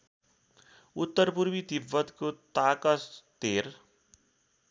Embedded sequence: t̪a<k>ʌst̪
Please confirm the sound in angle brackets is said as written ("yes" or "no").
yes